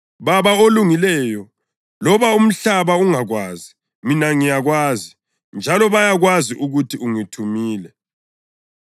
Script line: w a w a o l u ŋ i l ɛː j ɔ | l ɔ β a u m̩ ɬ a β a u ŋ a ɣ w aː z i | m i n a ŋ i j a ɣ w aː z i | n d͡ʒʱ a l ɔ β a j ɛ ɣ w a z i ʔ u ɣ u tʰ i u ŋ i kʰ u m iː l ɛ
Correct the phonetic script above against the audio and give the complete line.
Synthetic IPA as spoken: β a β a o l u ŋ i l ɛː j ɔ | l ɔ β a u m̩ ɬ a β a u ŋ a ɣ w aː z i | m i n a ŋ i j a ɣ w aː z i | n d͡ʒʱ a l ɔ β a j a ɣ w a z i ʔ u ɣ u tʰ i u ŋ i tʰ u m iː l ɛ